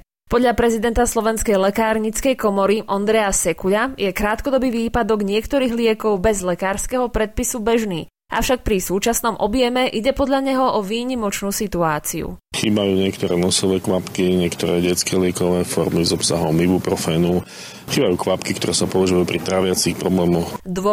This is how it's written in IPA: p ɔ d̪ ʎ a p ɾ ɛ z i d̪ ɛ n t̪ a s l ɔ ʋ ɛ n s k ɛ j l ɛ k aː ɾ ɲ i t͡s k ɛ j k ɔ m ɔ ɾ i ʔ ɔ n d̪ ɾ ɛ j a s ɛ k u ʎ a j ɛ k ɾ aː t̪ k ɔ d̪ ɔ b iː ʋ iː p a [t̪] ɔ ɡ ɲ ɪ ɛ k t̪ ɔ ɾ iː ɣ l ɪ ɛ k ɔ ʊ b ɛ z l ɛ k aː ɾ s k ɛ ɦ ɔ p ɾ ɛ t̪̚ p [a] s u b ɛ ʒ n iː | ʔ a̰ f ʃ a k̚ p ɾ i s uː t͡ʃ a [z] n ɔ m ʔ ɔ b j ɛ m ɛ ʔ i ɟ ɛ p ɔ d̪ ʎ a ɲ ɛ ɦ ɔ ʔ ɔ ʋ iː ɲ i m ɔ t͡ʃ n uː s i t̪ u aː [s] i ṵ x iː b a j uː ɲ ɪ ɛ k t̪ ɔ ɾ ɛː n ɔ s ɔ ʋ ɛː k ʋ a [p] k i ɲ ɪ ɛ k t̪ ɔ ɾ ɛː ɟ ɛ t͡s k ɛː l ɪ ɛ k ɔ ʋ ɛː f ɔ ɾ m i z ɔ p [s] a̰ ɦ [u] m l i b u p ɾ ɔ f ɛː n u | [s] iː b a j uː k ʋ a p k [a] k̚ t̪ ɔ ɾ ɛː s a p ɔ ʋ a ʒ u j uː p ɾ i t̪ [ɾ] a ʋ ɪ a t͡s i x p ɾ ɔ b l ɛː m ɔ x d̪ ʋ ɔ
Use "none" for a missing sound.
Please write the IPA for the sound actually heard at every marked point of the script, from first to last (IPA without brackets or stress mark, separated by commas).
d̪, i, s, t͡s, p, s, ɔ, x, i, ɾ